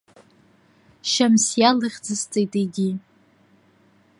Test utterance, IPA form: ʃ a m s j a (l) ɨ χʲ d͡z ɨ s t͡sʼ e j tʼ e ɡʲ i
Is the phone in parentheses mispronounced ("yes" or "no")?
no